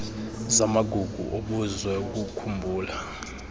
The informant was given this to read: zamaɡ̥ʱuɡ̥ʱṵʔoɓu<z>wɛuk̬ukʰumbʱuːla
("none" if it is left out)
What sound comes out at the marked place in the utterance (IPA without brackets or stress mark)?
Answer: z